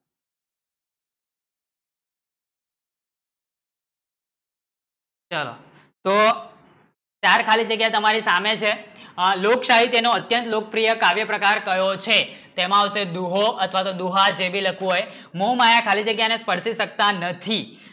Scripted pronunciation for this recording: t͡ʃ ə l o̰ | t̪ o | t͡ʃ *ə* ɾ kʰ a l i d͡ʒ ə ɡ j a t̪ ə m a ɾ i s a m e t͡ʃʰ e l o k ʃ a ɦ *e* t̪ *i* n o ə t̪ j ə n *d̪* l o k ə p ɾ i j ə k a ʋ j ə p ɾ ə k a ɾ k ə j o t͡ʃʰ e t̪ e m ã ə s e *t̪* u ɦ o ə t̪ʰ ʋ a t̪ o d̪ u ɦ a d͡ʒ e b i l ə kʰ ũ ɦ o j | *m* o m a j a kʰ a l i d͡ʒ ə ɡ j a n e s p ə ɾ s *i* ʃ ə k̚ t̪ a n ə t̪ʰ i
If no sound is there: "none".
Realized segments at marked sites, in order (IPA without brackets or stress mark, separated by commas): a, i, e, t̪, d̪, m, i